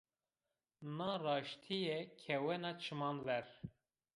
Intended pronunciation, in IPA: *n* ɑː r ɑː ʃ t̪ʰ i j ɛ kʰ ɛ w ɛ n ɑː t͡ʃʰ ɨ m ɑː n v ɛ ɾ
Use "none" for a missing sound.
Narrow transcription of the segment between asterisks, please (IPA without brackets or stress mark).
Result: n